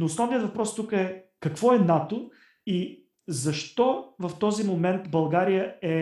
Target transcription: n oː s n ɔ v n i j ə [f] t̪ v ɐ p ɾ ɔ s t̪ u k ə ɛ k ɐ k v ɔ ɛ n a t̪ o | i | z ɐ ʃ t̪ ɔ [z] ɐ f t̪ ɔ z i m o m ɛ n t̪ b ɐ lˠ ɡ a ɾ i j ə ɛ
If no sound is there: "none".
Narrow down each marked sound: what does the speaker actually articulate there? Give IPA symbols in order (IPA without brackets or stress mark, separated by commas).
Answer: none, v